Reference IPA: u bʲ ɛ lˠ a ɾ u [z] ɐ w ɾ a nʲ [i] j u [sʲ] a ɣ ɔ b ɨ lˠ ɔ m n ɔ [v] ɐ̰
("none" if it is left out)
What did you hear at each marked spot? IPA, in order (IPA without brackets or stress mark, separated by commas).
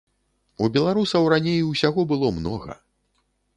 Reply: s, e, sʲ, ɣ